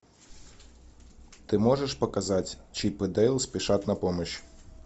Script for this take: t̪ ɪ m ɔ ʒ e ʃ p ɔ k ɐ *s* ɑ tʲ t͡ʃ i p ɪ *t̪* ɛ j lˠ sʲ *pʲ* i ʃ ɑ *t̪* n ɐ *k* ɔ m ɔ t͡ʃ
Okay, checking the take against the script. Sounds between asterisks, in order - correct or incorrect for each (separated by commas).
incorrect, incorrect, correct, correct, incorrect